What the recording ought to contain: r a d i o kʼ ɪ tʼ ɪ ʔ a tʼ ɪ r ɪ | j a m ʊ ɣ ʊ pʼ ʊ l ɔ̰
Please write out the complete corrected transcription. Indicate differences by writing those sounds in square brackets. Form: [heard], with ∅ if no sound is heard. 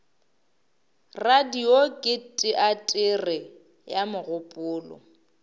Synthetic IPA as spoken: r a d i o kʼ ɪ tʼ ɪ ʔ a tʼ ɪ r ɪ | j a m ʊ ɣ ʊ pʼ [ʊː] l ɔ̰